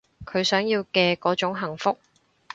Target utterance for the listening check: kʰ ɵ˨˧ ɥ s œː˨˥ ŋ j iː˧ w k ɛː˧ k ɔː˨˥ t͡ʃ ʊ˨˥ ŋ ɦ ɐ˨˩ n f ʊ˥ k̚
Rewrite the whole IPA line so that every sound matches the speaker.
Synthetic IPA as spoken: kʰ ɵ˨˧ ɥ s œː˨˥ ŋ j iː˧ w k ɛː˧ k ɔː˨˥ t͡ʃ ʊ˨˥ ŋ ɦ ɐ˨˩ ŋ f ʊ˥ k̚